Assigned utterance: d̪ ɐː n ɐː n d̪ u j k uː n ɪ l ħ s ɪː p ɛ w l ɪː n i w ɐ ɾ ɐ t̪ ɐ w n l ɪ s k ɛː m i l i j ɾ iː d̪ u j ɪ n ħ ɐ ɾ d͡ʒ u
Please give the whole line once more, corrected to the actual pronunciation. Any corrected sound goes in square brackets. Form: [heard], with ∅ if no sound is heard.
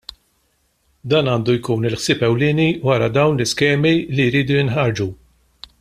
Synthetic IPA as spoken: d̪ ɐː n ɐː n d̪ u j k uː n ɪ l ħ s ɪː p ɛ w l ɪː n i w ɐ ɾ ɐ [d̪] ɐ w n l ɪ s k ɛː m i l i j ɾ iː d̪ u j ɪ n ħ ɐ ɾ d͡ʒ u